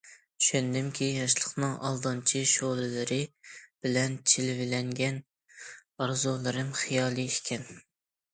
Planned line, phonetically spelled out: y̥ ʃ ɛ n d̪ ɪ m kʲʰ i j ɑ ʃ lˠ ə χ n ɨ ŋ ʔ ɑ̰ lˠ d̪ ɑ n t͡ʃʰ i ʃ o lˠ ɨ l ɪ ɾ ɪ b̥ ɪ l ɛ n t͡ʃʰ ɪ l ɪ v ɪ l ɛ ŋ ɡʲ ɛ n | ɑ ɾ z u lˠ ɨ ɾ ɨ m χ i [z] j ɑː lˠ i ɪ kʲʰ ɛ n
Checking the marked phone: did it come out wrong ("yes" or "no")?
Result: yes